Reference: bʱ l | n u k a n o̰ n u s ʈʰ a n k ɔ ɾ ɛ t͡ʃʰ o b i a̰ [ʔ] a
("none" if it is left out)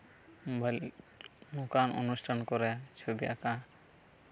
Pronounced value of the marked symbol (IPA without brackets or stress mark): k